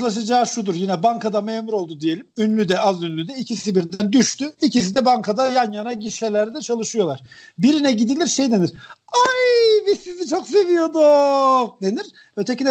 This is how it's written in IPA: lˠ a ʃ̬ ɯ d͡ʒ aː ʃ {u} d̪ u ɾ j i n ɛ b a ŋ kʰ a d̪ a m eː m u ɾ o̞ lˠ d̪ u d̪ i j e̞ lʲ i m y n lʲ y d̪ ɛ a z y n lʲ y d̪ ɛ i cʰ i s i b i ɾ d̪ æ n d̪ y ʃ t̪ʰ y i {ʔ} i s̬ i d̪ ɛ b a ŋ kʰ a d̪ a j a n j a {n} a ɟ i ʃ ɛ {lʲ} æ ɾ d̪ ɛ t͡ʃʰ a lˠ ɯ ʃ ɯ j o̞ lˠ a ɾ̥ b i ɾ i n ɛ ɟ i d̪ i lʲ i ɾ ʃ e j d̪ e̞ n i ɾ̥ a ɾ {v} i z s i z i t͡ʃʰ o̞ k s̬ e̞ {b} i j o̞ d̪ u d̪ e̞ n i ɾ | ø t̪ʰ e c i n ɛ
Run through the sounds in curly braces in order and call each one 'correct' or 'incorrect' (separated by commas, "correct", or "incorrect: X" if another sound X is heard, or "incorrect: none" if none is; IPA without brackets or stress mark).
correct, incorrect: c, correct, correct, incorrect: b, incorrect: v